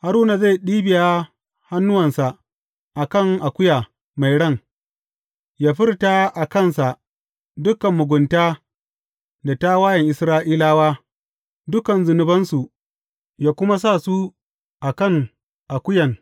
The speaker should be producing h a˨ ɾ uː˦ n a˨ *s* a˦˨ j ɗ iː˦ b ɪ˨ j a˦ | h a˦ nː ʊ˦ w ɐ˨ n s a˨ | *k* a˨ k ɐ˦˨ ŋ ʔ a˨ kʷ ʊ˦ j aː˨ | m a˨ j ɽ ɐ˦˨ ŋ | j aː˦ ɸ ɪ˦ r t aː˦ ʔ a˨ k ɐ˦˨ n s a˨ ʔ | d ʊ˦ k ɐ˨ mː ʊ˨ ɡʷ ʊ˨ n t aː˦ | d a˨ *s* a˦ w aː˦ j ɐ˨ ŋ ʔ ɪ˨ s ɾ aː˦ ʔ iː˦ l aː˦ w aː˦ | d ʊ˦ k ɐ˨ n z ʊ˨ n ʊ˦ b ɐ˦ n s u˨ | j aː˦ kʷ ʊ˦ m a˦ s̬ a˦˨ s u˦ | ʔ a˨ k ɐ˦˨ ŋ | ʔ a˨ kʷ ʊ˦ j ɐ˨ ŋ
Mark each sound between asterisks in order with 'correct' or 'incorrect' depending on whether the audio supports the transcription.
incorrect: z, incorrect: ʔ, incorrect: t

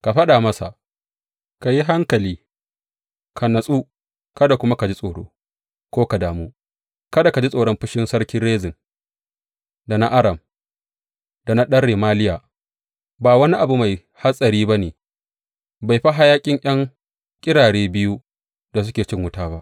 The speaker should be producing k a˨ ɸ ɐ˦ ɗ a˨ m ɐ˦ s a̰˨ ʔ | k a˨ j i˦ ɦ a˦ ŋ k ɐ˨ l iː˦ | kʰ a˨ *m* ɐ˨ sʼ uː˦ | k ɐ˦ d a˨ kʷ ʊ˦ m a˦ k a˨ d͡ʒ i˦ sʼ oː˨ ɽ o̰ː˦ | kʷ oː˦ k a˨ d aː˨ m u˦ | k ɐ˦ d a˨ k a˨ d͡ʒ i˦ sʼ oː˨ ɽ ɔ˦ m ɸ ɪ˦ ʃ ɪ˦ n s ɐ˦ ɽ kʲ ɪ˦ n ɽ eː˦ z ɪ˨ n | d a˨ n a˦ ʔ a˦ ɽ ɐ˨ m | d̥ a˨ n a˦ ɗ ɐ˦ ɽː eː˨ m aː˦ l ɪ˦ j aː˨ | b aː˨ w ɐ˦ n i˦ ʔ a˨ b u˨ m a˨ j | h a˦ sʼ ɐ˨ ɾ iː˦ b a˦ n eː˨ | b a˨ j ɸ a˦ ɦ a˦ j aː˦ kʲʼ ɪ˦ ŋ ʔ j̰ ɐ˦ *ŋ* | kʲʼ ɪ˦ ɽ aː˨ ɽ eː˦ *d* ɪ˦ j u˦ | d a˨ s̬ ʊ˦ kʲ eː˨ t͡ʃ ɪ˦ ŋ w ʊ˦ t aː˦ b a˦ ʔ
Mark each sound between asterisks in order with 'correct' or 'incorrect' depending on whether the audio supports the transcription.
incorrect: n, correct, incorrect: b

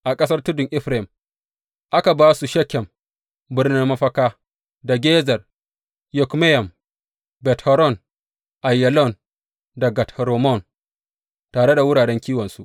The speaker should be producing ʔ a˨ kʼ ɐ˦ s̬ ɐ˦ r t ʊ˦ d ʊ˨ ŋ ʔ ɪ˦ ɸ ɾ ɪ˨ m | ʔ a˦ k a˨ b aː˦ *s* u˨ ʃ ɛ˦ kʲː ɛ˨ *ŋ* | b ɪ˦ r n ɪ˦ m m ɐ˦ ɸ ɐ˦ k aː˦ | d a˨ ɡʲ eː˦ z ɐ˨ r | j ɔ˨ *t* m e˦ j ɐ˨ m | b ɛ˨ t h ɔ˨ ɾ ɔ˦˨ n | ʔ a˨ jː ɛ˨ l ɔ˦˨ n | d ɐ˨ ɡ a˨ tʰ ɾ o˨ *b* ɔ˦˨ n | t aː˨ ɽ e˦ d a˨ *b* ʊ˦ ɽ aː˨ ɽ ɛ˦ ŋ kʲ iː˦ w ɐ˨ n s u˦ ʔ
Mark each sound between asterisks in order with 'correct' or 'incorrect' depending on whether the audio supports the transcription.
correct, incorrect: m, incorrect: k, incorrect: m, incorrect: w

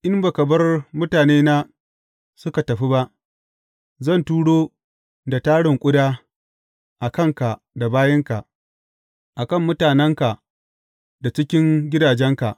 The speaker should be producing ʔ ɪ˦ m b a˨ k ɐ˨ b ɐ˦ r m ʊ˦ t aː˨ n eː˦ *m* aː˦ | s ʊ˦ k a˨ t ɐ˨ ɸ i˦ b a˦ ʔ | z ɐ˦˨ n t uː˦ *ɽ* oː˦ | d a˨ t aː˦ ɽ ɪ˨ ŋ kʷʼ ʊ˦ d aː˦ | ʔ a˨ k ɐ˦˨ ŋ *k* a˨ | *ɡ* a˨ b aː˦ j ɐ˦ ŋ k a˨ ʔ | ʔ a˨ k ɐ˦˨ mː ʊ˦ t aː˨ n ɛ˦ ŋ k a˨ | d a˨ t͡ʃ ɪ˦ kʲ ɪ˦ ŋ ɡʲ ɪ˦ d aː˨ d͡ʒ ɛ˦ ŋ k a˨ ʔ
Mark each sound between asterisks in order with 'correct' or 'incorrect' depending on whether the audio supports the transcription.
incorrect: n, correct, correct, incorrect: d

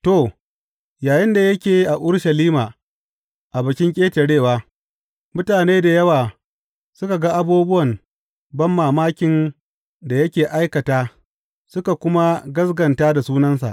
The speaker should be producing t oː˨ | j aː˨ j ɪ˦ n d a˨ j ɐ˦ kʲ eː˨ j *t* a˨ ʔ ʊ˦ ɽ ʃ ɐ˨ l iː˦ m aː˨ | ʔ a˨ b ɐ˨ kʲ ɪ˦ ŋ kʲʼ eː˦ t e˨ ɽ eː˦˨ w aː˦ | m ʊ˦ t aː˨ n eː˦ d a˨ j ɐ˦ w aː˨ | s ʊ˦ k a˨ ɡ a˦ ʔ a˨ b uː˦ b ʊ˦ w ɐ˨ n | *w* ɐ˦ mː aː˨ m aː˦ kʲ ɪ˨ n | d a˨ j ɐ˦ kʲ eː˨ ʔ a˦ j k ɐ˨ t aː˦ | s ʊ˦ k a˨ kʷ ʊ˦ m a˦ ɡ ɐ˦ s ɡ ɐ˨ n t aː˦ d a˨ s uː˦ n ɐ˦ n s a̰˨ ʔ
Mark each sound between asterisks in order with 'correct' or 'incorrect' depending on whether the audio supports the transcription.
incorrect: ʔ, incorrect: b

